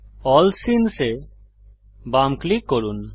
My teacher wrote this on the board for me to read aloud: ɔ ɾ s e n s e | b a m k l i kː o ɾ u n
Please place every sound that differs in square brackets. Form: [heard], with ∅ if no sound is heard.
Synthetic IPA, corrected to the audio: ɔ [l] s [i] n s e | b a m k l i kː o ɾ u n